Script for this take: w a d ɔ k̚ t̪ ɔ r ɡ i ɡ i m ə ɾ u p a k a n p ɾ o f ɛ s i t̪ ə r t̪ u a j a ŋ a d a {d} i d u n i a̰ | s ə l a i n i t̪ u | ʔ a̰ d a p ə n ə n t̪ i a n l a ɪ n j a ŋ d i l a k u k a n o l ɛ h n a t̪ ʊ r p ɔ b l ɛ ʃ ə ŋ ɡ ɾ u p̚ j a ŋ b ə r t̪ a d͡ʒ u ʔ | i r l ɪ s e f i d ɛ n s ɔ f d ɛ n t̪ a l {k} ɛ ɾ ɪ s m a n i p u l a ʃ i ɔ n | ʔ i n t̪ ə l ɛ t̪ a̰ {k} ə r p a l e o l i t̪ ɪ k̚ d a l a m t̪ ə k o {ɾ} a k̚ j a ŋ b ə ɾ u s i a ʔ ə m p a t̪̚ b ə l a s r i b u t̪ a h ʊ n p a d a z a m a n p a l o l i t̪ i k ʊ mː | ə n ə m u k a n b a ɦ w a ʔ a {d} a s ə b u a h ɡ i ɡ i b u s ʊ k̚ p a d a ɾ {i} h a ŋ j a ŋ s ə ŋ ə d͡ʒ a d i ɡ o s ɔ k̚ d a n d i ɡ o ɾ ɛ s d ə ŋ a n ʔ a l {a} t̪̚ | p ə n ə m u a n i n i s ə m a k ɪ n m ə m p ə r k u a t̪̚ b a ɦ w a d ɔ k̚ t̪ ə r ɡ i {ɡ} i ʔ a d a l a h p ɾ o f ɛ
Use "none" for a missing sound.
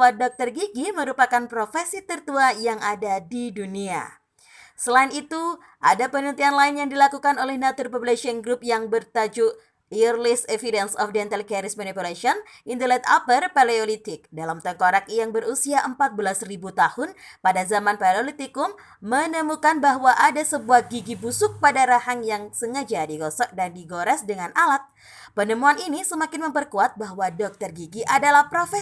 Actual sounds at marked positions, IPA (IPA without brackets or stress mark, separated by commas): d, k, p, ɾ, d, a, a, ɡ